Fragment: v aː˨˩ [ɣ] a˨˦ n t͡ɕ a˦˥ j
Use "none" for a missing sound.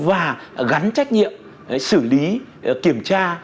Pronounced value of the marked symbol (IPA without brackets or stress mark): ɣ